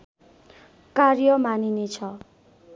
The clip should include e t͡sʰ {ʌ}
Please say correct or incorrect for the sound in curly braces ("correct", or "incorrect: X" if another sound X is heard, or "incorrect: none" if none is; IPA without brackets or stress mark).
correct